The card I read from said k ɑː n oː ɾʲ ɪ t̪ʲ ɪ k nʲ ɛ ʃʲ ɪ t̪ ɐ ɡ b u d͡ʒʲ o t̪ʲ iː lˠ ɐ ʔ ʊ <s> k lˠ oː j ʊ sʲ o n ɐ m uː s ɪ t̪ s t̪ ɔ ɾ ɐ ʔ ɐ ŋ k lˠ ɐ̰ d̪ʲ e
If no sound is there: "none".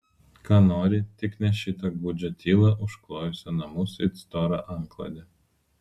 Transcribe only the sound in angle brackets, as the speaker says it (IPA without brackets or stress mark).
ʃ